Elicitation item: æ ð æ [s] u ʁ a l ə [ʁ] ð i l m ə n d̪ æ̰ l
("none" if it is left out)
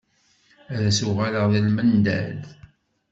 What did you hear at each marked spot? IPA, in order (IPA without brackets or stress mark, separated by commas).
s, ʁ